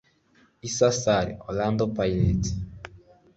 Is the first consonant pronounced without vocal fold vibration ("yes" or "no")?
yes